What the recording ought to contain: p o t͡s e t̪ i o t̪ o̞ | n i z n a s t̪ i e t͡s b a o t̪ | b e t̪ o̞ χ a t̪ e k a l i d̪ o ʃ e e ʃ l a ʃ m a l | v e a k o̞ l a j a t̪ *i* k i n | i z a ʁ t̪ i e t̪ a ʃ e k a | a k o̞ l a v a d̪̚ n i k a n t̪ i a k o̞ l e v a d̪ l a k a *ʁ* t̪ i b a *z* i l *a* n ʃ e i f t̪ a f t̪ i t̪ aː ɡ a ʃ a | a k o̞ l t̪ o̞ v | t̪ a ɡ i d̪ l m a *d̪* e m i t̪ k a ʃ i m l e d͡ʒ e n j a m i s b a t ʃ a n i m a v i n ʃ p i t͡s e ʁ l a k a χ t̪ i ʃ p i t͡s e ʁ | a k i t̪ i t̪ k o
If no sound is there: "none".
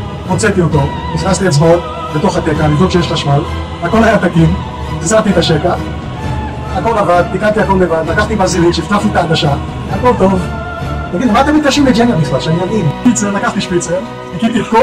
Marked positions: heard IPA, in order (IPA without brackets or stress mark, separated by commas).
a, χ, z, i, t̪